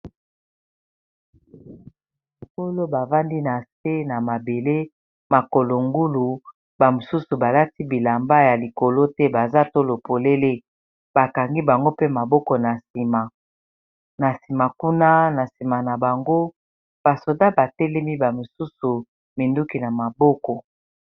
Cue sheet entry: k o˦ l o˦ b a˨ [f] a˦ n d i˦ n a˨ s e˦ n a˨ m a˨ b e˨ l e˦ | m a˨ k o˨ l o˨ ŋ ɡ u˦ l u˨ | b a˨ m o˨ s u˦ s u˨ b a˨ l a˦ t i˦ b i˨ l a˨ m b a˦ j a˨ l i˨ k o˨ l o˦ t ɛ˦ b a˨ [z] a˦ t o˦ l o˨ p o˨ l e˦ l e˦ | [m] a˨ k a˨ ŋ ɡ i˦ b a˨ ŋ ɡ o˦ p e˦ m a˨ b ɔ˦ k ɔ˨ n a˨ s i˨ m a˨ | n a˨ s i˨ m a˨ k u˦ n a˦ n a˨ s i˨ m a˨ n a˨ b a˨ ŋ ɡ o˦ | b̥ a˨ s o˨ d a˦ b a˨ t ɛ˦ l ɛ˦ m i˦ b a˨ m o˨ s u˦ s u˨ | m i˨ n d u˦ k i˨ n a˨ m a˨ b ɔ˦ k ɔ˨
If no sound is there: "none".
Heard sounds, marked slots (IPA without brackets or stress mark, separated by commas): v, z, b